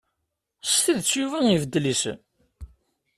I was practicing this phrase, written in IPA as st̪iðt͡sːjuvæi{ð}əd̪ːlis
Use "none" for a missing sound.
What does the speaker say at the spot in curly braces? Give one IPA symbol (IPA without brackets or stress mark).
v